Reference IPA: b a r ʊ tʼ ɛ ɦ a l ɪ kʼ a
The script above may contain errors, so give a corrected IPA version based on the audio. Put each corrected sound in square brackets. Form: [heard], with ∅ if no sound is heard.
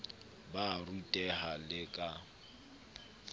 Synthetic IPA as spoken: b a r [u] tʼ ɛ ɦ a l ɪ kʼ a